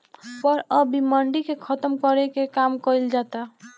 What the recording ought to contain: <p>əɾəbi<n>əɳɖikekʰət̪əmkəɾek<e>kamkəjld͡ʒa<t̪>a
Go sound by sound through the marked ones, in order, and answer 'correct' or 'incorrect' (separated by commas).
correct, incorrect, correct, correct